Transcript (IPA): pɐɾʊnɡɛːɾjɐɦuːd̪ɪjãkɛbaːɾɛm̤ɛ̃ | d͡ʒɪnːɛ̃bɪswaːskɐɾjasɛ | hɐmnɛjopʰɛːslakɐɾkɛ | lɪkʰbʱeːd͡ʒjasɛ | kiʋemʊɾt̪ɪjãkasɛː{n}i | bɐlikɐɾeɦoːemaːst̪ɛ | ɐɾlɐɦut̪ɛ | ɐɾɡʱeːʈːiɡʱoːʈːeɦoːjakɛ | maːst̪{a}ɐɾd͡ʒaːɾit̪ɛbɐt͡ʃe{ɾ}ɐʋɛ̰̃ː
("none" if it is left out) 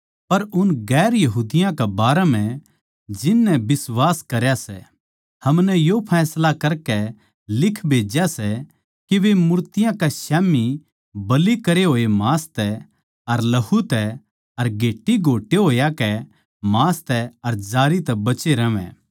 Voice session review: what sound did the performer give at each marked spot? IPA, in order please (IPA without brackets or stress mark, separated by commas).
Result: m, ɛ, ɾ